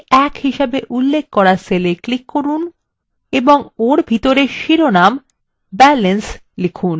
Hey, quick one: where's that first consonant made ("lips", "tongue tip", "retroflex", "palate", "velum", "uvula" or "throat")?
velum